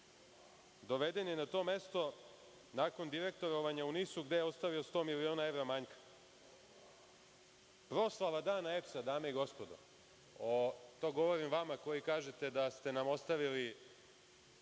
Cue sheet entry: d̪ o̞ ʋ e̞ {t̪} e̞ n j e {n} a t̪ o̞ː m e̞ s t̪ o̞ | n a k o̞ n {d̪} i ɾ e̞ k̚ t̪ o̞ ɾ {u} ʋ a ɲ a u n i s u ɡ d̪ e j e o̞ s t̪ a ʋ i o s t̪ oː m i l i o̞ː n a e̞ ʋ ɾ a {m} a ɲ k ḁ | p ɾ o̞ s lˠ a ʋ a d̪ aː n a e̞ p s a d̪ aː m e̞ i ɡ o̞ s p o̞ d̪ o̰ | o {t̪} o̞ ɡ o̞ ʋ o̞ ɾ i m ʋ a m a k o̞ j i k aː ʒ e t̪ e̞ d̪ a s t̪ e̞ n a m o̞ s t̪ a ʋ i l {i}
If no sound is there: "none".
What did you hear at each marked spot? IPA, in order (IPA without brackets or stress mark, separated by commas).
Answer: d̪, n, d̪, o, m, t̪, i